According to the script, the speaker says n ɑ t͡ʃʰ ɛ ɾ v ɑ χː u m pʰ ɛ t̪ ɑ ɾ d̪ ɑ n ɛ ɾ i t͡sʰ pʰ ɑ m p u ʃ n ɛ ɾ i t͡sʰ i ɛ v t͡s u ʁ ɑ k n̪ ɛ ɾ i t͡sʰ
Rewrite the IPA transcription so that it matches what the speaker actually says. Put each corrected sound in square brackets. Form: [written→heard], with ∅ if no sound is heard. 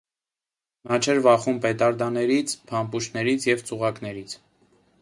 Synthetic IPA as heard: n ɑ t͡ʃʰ ɛ ɾ v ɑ [χː→χ] u m [pʰ→p] ɛ t̪ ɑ ɾ d̪ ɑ n ɛ ɾ i t͡sʰ pʰ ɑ m p u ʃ n ɛ ɾ i t͡sʰ [i→j] ɛ v t͡s u ʁ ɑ k n̪ ɛ ɾ i t͡sʰ